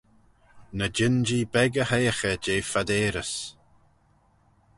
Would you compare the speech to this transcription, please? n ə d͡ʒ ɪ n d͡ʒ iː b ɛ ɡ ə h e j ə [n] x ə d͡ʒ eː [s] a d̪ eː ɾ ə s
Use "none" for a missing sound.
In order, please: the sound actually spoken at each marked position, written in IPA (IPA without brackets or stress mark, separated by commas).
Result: none, f